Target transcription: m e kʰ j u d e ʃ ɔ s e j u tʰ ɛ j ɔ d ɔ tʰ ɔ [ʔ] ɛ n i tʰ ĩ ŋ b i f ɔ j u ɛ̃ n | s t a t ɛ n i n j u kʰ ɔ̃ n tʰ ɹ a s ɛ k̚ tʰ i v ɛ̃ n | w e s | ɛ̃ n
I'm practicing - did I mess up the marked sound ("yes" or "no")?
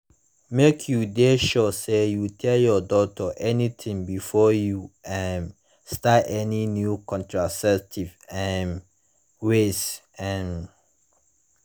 no